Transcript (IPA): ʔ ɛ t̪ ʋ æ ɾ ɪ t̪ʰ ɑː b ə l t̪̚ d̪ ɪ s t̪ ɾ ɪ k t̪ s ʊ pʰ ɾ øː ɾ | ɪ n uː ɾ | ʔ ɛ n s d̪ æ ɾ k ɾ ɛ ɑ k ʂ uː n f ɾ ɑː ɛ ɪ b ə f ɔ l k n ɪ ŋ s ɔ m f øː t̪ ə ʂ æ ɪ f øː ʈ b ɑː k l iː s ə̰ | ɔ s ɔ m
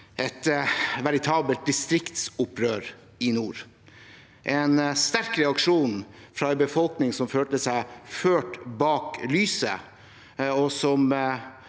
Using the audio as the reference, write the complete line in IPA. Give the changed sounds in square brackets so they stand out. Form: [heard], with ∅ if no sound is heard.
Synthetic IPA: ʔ ɛ t̪ ʋ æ ɾ ɪ t̪ʰ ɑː b ə l t̪̚ d̪ ɪ s t̪ ɾ ɪ k t̪ s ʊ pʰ ɾ øː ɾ | ɪ n uː ɾ | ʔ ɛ n s [t̪] æ ɾ k ɾ ɛ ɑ k ʂ uː n f ɾ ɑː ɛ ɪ b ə f ɔ l k n ɪ ŋ s ɔ m f øː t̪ ə [s] æ ɪ f øː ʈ b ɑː k l [yː] s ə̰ | ɔ s ɔ m